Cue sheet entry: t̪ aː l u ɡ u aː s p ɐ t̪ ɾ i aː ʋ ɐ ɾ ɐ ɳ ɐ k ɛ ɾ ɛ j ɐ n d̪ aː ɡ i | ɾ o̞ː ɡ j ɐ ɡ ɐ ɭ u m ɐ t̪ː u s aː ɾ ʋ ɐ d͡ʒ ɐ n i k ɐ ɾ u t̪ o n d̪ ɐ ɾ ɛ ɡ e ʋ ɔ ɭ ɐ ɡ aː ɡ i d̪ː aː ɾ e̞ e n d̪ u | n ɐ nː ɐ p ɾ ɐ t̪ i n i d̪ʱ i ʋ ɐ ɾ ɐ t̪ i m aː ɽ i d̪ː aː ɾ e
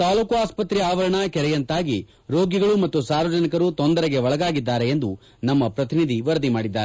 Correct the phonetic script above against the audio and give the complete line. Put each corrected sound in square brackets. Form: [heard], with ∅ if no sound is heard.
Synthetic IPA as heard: t̪ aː l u [k] u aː s p ɐ t̪ ɾ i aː ʋ ɐ ɾ ɐ ɳ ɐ k ɛ ɾ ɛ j ɐ n [t̪] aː ɡ i | ɾ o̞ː ɡ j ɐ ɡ ɐ ɭ u m ɐ t̪ː u s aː ɾ ʋ ɐ d͡ʒ ɐ n i k ɐ ɾ u t̪ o n d̪ ɐ ɾ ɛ ɡ e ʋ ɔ ɭ ɐ ɡ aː ɡ i d̪ː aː ɾ e̞ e n d̪ u | n ɐ [mː] ɐ p ɾ ɐ t̪ i n i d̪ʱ i ʋ ɐ ɾ ɐ [d̪] i m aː ɽ i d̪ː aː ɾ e

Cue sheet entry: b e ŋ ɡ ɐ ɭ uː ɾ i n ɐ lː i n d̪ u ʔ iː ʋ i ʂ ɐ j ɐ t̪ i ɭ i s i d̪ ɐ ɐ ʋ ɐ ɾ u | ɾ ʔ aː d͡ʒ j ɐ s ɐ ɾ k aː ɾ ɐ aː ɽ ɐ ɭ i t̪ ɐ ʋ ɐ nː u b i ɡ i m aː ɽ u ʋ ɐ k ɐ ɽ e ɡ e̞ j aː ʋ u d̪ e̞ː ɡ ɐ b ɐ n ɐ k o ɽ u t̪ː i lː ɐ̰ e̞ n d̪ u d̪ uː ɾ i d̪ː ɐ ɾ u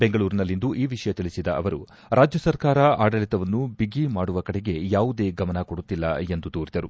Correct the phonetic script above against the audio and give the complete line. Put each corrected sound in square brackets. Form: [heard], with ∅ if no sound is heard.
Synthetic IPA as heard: b e ŋ ɡ ɐ ɭ uː ɾ i n ɐ lː i n d̪ u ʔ iː ʋ i ʂ ɐ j ɐ t̪ i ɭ i s i d̪ ɐ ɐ ʋ ɐ ɾ u | ɾ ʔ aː d͡ʒ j ɐ s ɐ ɾ k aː ɾ ɐ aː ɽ ɐ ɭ i t̪ ɐ ʋ ɐ nː u b i ɡ i m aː ɽ u ʋ ɐ k ɐ ɽ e ɡ e̞ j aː ʋ u d̪ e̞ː ɡ ɐ [m] ɐ n ɐ k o ɽ u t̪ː i lː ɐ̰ e̞ n d̪ u d̪ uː ɾ i [d̪] ɐ ɾ u

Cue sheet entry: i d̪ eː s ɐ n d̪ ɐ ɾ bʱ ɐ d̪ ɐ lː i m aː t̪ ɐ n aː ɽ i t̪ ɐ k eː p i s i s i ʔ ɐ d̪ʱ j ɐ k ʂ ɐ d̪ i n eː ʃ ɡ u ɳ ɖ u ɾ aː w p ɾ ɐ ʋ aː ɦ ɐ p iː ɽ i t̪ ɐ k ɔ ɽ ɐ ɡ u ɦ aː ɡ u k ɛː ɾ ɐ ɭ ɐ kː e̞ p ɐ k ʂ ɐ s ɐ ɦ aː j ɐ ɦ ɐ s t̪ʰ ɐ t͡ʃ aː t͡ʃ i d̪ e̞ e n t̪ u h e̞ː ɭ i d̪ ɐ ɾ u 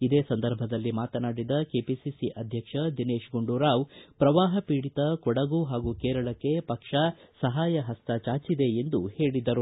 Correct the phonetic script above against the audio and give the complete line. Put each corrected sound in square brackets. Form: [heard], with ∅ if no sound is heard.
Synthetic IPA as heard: i d̪ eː s ɐ n d̪ ɐ ɾ bʱ ɐ d̪ ɐ lː i m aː t̪ ɐ n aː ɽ i [d̪] ɐ k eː p i s i s i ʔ ɐ d̪ʱ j ɐ k ʂ ɐ d̪ i n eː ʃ ɡ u ɳ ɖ u ɾ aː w p ɾ ɐ ʋ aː ɦ ɐ p iː ɽ i t̪ ɐ k ɔ ɽ ɐ ɡ u ɦ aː ɡ u k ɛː ɾ ɐ ɭ ɐ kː e̞ p ɐ k ʂ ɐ s ɐ ɦ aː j ɐ ɦ ɐ s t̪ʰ ɐ t͡ʃ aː t͡ʃ i d̪ e̞ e n [d̪] u h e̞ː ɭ i d̪ ɐ ɾ u

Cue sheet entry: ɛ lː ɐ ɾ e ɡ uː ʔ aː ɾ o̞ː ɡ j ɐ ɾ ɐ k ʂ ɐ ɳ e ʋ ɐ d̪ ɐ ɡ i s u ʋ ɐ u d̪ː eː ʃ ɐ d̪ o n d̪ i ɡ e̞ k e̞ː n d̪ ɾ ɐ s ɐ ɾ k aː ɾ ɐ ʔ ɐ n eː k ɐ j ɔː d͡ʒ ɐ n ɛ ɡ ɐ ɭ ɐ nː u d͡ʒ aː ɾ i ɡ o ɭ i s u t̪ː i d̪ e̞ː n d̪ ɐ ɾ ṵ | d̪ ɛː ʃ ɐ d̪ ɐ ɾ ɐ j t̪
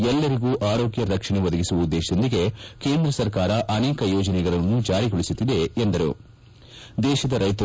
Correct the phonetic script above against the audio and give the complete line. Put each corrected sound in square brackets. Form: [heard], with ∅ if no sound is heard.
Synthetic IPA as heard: ɛ lː ɐ ɾ [i] ɡ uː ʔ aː ɾ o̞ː ɡ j ɐ ɾ ɐ k ʂ ɐ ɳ e ʋ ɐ d̪ ɐ ɡ i s u ʋ ɐ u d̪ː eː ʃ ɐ d̪ o n d̪ i ɡ e̞ k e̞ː n d̪ ɾ ɐ s ɐ ɾ k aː ɾ ɐ ʔ ɐ n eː k ɐ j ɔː d͡ʒ ɐ n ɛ ɡ ɐ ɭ ɐ nː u d͡ʒ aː ɾ i ɡ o ɭ i s u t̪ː i d̪ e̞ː n d̪ ɐ ɾ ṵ | d̪ ɛː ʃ ɐ d̪ ɐ ɾ ɐ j t̪

